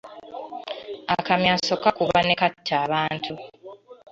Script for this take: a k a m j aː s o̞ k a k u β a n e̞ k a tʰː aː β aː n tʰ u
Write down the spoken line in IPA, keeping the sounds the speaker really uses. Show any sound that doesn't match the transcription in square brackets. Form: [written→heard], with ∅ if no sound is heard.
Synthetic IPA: a k a m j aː s o̞ k a k u β a n e̞ k a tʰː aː β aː n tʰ u